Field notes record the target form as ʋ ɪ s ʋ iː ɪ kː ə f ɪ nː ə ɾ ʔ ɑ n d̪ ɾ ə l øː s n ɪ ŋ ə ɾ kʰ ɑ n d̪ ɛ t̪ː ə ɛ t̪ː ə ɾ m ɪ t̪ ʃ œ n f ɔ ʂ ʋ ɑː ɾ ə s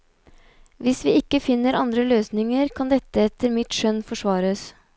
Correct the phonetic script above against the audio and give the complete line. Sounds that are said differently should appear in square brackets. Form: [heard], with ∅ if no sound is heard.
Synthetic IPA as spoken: ʋ ɪ s ʋ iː ɪ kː ə f ɪ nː ə ɾ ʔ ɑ n d̪ ɾ ə l øː s n ɪ ŋ ə ɾ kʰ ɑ n d̪ ɛ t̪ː ə ɛ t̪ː ə ɾ m ɪ t̪ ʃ œ n f ɔ ʂ ʋ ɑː ɾ ə s